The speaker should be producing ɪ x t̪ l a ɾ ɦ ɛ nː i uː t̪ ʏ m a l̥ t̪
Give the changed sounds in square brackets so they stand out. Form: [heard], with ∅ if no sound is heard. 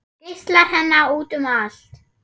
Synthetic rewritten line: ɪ [s] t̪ l a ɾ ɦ ɛ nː [a] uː t̪ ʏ m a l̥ t̪